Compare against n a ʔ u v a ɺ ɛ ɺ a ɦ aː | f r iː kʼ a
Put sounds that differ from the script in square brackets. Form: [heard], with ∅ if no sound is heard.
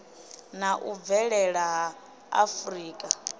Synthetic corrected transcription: n a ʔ u v [ɛ] ɺ ɛ ɺ a ɦ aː | f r iː kʼ a